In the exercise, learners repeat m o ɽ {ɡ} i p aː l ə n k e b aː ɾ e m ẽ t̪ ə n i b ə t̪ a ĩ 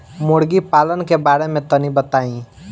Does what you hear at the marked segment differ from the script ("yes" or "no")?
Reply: no